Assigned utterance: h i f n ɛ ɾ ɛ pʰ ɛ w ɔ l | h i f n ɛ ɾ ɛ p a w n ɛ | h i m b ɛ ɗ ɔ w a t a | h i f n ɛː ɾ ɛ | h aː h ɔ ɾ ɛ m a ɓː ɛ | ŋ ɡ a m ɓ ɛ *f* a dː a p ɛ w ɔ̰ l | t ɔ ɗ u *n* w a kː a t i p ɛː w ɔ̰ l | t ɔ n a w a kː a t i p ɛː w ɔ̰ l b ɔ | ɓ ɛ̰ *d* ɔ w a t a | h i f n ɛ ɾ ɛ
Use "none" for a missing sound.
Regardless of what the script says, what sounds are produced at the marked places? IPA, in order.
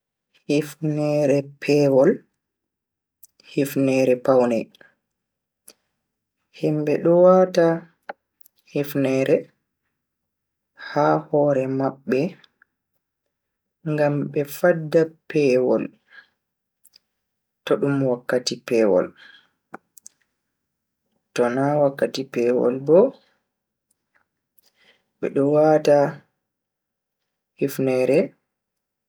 f, m, ɗ

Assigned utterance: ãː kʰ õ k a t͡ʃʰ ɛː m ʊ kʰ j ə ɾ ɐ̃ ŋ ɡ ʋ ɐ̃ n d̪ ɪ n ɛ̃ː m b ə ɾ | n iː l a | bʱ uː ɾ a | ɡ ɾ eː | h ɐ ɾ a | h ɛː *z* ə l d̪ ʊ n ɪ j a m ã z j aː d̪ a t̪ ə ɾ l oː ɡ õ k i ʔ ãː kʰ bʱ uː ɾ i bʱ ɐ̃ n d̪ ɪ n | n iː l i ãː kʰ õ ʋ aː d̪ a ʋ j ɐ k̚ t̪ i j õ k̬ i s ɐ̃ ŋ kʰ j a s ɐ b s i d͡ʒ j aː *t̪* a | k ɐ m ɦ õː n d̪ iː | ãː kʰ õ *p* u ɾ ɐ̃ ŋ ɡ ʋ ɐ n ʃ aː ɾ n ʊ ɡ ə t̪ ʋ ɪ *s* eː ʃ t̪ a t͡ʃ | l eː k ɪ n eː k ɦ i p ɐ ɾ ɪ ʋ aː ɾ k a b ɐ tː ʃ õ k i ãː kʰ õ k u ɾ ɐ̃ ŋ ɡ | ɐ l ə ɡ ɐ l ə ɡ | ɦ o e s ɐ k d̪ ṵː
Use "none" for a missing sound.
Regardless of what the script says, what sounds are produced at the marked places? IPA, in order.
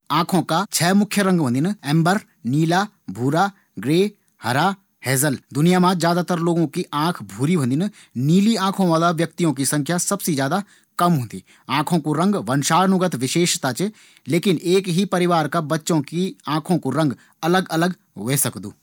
z, d̪, k, ʃ

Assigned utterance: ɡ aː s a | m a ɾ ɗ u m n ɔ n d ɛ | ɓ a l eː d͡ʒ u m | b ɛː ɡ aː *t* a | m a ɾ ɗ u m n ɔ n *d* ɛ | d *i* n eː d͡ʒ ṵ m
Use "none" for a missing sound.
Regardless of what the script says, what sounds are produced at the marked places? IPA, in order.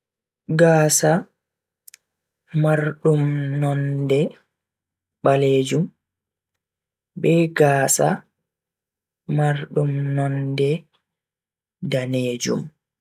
s, d, a

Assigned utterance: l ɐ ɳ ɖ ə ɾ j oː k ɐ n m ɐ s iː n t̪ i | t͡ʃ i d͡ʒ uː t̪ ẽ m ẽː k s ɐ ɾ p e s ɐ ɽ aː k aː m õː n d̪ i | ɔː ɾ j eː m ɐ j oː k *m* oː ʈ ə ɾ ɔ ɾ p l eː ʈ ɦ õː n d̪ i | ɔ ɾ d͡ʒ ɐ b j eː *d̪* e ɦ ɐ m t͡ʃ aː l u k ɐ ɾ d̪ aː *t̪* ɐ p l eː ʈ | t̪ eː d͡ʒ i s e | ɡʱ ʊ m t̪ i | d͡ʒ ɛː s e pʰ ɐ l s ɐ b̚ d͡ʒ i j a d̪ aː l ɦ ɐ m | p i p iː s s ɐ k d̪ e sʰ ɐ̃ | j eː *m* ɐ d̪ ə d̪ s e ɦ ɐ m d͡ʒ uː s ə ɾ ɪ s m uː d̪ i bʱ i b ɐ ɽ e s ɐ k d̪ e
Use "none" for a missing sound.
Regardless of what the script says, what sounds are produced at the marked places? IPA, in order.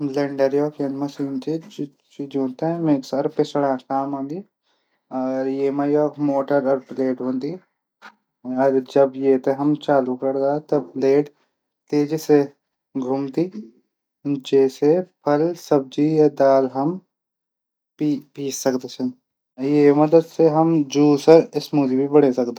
m, t̪, t̪, m

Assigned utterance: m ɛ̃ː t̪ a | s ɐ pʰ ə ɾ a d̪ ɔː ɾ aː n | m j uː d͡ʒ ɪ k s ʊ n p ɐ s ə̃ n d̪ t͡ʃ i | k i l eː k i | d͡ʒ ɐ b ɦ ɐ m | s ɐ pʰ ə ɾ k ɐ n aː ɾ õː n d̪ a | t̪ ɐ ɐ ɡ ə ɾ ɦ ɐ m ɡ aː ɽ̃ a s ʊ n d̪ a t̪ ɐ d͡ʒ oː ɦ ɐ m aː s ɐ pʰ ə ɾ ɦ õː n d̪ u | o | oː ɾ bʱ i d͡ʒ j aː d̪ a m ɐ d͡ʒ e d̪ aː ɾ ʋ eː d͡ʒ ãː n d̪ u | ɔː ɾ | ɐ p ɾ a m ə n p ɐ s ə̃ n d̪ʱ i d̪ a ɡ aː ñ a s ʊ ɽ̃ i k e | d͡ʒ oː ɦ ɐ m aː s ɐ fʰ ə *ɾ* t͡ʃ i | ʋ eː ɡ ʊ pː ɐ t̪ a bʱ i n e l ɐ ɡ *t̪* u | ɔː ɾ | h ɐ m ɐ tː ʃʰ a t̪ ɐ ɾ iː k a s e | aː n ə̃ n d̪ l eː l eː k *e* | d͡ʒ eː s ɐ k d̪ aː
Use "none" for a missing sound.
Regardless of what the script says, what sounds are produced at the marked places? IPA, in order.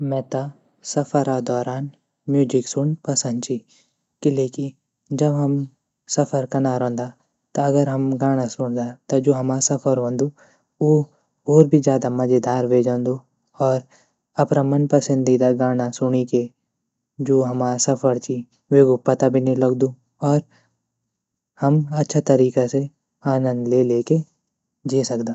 ɾ, d̪, e

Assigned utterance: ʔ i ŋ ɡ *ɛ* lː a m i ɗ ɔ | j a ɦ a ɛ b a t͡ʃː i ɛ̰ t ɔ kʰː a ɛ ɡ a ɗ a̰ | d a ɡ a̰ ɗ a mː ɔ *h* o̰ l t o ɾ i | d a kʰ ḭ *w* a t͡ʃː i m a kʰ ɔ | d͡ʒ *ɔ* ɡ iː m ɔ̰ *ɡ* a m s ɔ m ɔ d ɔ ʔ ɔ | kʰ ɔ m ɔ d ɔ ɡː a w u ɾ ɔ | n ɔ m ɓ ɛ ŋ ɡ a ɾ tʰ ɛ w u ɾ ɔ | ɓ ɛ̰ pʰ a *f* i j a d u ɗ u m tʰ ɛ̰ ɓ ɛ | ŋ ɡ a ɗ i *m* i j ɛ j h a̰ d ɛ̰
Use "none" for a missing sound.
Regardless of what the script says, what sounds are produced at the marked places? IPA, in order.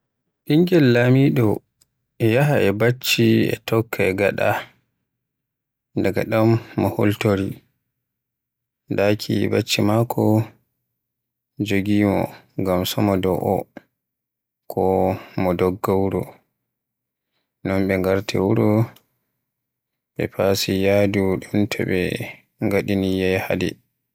ɛ, h, b, o, ɡ, s, n

